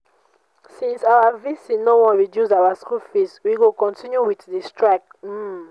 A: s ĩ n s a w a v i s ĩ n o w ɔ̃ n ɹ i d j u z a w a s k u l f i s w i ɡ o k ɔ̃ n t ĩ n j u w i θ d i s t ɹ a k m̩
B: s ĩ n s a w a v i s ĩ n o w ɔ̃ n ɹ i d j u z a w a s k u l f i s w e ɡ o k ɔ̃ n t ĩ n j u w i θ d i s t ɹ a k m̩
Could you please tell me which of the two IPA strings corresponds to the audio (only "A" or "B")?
A